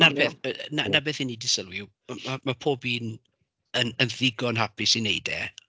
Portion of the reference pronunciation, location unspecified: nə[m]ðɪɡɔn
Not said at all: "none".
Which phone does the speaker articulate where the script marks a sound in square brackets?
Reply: n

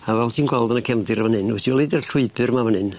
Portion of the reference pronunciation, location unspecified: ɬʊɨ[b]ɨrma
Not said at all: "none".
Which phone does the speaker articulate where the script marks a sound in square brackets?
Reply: b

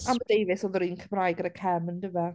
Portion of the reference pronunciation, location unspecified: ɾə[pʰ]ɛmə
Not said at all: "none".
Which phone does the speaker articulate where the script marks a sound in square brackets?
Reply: kʰ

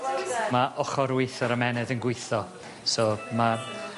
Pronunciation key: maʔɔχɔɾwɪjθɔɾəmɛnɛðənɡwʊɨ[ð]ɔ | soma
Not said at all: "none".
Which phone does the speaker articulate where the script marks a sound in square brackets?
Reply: θ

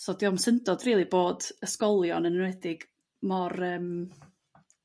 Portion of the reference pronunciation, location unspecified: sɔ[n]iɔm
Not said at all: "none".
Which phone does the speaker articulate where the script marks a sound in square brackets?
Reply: d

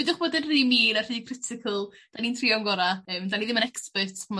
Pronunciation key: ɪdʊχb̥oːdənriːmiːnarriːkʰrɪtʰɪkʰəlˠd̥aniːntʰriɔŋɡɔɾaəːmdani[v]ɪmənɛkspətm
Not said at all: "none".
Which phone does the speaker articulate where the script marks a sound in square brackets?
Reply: ð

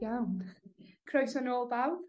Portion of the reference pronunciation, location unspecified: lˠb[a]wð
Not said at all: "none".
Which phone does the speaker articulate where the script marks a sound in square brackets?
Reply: a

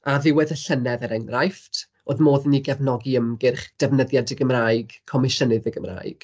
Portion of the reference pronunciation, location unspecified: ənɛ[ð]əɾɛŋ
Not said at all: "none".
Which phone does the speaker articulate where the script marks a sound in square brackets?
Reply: ð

